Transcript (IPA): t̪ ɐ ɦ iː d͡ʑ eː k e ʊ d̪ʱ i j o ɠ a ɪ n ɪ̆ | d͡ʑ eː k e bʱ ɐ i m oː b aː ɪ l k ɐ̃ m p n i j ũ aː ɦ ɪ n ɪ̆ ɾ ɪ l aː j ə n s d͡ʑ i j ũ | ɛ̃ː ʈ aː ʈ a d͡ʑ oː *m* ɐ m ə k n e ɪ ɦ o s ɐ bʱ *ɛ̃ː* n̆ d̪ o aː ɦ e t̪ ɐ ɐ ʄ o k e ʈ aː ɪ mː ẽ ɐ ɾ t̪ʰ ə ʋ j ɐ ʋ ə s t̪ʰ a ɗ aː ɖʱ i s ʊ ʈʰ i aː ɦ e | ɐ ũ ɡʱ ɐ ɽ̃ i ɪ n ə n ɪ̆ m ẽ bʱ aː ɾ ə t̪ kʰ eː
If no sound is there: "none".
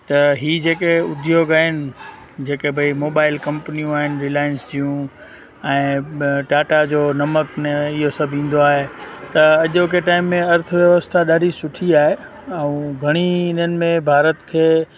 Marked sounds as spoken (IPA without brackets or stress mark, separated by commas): n, ĩː